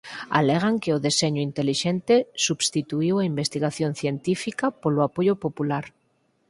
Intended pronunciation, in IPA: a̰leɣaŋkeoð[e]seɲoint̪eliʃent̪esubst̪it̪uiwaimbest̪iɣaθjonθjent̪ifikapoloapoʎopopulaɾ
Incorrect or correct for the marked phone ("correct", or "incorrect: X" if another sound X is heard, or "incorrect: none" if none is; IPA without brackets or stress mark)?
correct